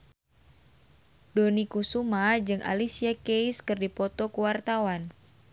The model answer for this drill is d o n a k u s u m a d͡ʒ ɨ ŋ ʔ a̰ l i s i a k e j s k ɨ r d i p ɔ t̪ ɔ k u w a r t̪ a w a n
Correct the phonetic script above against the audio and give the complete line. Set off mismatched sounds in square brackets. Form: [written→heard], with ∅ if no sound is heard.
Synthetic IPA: d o n [a→i] k u s u m a d͡ʒ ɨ ŋ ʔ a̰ l i s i a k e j s k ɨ r d i p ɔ t̪ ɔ k u w a r t̪ a w a n